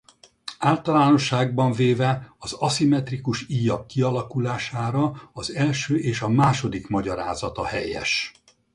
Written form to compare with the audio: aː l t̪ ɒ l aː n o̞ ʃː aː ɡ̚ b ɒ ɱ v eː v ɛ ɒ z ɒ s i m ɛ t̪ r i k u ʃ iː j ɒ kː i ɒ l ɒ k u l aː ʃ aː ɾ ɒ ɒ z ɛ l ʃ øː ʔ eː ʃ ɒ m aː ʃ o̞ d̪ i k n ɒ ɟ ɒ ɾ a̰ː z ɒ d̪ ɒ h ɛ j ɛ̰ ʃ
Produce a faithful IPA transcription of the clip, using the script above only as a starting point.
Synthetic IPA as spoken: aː l t̪ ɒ l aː n o̞ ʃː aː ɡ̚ b ɒ ɱ v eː v ɛ ɒ z ɒ s i m ɛ t̪ r i k u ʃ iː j ɒ kː i ɒ l ɒ k u l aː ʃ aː ɾ ɒ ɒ z ɛ l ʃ øː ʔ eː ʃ ɒ m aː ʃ o̞ d̪ i k m ɒ ɟ ɒ ɾ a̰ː z ɒ t̪ ɒ h ɛ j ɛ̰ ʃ

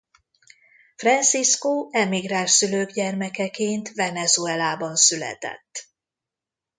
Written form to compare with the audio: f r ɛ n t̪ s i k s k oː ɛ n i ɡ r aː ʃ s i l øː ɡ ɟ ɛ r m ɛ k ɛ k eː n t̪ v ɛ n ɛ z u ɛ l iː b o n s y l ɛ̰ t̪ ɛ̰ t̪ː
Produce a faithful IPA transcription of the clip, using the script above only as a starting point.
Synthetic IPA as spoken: f r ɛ n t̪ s i s k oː ɛ m i ɡ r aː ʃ s y l øː ɡ ɟ ɛ r m ɛ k ɛ k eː n t̪ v ɛ n ɛ z u ɛ l aː b ɒ n s y l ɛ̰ t̪ ɛ̰ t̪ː

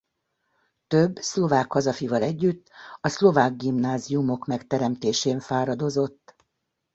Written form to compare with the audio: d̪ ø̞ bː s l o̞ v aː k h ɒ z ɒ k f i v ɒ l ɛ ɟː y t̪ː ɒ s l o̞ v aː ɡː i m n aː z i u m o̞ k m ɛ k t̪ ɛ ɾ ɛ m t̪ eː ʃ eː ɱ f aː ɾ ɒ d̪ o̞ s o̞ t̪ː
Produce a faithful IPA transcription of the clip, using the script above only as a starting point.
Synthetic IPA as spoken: t̪ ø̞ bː s l o̞ v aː k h ɒ z ɒ f i v ɒ l ɛ ɟː y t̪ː ɒ s l o̞ v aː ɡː i m n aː z i u m o̞ k m ɛ k t̪ ɛ ɾ ɛ m t̪ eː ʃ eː ɱ f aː ɾ ɒ d̪ o̞ z o̞ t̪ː

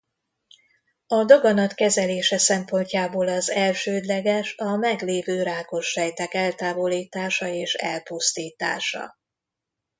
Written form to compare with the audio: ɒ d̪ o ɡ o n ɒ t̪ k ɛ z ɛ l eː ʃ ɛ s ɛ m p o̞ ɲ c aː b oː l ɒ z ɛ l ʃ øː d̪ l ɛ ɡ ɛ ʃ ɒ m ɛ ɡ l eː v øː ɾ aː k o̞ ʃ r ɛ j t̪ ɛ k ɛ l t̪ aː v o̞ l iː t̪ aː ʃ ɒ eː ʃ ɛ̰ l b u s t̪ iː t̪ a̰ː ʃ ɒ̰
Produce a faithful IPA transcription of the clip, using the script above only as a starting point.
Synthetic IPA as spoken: ɒ d̪ o ɡ ɒ n ɒ t̪ k ɛ z ɛ l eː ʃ ɛ s ɛ m p o̞ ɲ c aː b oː l ɒ z ɛ l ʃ øː d̪ l ɛ ɡ ɛ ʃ ɒ m ɛ ɡ l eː v øː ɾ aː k o̞ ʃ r ɛ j t̪ ɛ k ɛ l t̪ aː v o̞ l iː t̪ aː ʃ ɒ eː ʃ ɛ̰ l p u s t̪ iː t̪ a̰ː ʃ ɒ̰

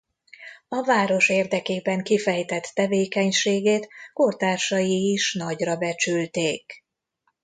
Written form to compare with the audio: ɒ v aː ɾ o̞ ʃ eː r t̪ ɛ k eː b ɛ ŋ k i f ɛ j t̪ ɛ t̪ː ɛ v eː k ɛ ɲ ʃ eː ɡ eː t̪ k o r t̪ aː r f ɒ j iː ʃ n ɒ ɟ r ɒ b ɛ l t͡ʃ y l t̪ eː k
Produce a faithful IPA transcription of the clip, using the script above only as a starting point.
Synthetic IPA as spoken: ɒ v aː ɾ o̞ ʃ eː r d̪ ɛ k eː b ɛ ŋ k i f ɛ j t̪ ɛ t̪ː ɛ v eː k ɛ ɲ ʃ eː ɡ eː t̪ k o r t̪ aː r ʃ ɒ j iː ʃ n ɒ ɟ r ɒ b ɛ t͡ʃ y l t̪ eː k

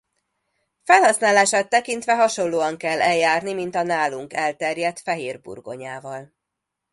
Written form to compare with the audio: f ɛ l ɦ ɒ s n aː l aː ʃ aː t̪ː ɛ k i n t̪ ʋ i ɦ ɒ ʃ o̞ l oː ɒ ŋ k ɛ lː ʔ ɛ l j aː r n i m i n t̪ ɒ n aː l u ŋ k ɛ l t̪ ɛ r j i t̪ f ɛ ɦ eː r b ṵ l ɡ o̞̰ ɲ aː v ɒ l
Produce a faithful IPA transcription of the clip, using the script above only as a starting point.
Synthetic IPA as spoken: f ɛ l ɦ ɒ s n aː l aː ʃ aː t̪ː ɛ k i n t̪ ʋ ɛ ɦ ɒ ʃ o̞ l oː ɒ ŋ k ɛ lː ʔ ɛ l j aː r n i m i n t̪ ɒ n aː l u ŋ k ɛ l t̪ ɛ r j ɛ t̪ f ɛ ɦ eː r b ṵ r ɡ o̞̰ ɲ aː v ɒ l

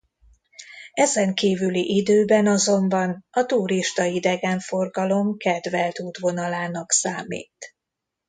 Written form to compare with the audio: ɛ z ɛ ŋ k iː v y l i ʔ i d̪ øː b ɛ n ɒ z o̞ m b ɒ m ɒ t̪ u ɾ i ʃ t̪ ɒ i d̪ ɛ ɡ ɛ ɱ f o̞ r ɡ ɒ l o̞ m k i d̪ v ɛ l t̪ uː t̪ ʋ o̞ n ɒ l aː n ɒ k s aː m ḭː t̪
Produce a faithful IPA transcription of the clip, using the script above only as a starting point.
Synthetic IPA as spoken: ɛ z ɛ ŋ k iː v y l i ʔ i d̪ øː b ɛ n ɒ z o̞ m b ɒ n ɒ t̪ u ɾ i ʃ t̪ ɒ i d̪ ɛ ɡ ɛ ɱ f o̞ r ɡ ɒ l o̞ m k ɛ d̪ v ɛ l t̪ uː t̪ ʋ o̞ n ɒ l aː n ɒ k s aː m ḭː t̪

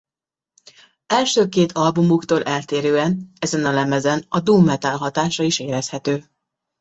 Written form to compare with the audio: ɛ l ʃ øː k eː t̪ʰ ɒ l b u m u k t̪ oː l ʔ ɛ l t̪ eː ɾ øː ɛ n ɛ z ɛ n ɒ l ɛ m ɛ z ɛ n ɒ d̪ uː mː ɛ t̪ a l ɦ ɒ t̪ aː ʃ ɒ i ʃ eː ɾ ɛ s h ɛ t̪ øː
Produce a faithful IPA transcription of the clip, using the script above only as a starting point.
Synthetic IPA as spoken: ɛ l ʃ øː k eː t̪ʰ ɒ l b u m u k t̪ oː l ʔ ɛ l t̪ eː ɾ øː ɛ n ɛ z ɛ n ɒ l ɛ m ɛ z ɛ n ɒ d̪ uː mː ɛ t̪ a l ɦ ɒ t̪ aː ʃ ɒ i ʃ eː ɾ ɛ s h ɛ t̪ øː

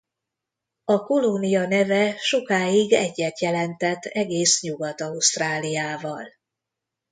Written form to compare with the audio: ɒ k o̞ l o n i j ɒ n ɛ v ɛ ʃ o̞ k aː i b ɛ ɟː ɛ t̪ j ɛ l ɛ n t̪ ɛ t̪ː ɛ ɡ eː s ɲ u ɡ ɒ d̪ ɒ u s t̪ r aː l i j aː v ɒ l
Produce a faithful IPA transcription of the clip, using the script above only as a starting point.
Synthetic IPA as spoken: ɒ k o̞ l o n i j ɒ n ɛ v ɛ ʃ o̞ k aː i ɡ ɛ ɟː ɛ t̪ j ɛ l ɛ n t̪ ɛ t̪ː ɛ ɡ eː s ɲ u ɡ ɒ t̪ ɒ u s t̪ r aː l i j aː v ɒ l

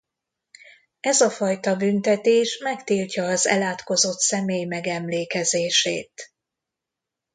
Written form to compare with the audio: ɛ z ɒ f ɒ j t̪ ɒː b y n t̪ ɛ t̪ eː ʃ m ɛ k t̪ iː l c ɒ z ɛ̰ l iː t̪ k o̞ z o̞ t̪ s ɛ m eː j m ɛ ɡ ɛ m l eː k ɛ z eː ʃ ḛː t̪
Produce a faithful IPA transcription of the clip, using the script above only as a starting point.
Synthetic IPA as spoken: ɛ z ɒ f ɒ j t̪ ɒ b y n t̪ ɛ t̪ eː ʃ m ɛ k t̪ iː l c ɒː z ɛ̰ l aː t̪ k o̞ z o̞ t̪ s ɛ m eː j m ɛ ɡ ɛ m l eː k ɛ z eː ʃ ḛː t̪

